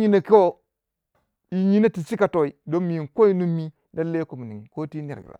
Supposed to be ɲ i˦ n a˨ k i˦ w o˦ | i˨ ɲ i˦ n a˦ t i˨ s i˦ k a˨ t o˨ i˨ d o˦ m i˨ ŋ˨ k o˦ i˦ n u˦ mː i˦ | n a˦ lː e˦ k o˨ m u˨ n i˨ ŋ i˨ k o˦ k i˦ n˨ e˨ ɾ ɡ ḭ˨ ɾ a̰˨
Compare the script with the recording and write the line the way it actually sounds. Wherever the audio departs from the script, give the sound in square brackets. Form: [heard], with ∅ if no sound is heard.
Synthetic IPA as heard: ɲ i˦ n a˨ k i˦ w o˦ | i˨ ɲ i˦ n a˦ t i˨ s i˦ k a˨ t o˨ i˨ d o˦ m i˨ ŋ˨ k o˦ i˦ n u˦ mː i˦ | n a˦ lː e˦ k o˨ m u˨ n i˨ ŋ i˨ k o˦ [t] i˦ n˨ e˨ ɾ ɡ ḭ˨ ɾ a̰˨

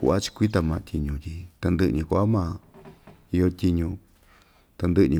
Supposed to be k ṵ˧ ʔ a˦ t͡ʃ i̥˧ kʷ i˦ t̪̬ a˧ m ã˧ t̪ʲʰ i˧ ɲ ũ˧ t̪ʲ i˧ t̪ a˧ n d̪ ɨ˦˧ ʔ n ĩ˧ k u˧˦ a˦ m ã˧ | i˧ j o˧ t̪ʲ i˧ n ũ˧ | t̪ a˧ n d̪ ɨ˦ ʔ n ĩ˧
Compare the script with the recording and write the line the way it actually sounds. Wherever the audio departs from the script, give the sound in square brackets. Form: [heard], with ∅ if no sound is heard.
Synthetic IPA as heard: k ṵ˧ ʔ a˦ t͡ʃ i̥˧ kʷ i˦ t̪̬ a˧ m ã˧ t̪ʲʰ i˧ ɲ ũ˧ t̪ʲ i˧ t̪ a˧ n d̪ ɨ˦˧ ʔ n ĩ˧ k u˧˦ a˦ m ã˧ | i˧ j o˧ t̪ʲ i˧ [ɲ] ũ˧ | t̪ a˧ n d̪ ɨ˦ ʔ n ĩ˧

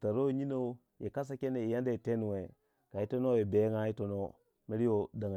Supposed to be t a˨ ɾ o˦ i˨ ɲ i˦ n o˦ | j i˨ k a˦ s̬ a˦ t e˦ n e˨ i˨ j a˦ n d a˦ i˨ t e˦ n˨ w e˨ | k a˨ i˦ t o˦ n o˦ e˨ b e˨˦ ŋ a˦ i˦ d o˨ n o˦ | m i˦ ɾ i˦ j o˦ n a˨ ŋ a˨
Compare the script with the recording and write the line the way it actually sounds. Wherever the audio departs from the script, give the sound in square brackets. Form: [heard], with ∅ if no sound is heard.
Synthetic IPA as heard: t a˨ ɾ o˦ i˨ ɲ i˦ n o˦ | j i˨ k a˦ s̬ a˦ [k] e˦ n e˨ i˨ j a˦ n d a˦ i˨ t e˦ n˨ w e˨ | k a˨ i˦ t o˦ n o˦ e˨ b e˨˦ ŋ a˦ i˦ [t] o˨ n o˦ | m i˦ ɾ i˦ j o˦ [d] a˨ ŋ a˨

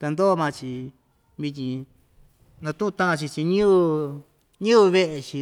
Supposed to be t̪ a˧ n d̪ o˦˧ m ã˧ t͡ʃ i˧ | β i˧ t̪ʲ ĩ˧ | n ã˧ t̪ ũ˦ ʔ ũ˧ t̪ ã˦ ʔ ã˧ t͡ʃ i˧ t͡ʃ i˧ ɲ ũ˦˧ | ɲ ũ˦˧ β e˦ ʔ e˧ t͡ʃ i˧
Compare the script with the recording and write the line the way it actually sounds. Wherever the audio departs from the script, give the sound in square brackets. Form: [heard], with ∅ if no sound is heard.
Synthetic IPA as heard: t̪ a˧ n d̪ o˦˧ m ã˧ t͡ʃ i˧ | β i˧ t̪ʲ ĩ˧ | n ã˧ t̪ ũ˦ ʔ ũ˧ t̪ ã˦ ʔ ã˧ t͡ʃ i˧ t͡ʃ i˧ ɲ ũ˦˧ | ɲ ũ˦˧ β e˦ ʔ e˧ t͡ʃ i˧

